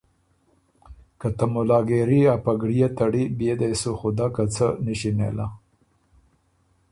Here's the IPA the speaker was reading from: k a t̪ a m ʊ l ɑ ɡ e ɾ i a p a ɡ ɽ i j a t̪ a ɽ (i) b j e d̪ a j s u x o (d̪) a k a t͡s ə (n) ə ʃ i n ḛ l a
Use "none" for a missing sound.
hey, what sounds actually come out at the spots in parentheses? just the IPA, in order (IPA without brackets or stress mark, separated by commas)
i, d̪, n